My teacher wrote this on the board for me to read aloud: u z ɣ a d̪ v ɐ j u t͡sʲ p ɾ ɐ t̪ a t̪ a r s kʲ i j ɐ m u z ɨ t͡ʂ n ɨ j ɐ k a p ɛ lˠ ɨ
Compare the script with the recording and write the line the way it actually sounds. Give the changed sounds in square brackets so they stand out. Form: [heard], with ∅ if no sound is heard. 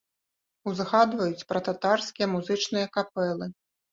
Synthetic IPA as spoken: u z ɣ a d̪ v ɐ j u t͡sʲ p ɾ ɐ t̪ a t̪ a r s kʲ i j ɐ m u z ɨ t͡ʂ n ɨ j ɐ k a p ɛ lˠ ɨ